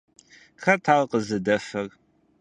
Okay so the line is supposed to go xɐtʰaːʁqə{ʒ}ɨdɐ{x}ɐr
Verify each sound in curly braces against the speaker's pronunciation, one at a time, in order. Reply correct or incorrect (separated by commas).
incorrect, incorrect